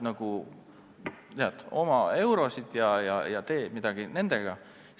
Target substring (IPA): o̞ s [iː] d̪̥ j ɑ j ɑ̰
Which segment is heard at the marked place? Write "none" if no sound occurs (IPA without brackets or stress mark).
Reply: i